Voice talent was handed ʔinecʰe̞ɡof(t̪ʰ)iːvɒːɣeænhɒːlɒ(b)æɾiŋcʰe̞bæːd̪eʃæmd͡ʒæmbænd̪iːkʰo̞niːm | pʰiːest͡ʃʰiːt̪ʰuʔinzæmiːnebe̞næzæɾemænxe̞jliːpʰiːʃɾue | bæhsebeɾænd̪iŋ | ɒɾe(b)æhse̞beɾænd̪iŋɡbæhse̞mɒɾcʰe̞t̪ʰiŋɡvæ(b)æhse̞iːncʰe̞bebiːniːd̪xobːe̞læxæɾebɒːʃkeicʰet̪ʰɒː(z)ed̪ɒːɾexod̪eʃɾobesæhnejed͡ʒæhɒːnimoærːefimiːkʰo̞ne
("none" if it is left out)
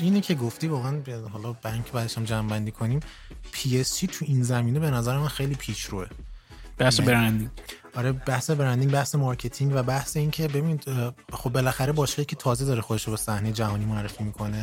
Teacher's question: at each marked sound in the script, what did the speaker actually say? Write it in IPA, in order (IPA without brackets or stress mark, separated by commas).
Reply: t̪, b, b, b, z